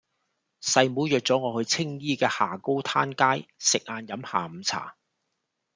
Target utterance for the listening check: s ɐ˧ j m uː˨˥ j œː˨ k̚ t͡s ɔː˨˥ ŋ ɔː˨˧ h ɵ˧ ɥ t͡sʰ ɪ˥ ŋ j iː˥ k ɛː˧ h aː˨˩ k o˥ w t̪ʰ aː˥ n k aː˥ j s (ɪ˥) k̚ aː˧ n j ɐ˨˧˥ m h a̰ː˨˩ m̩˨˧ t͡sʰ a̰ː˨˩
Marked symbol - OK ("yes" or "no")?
no